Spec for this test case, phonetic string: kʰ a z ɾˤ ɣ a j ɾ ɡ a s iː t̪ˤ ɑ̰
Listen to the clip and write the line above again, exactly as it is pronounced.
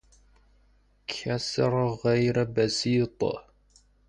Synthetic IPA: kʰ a s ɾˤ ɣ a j ɾ b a s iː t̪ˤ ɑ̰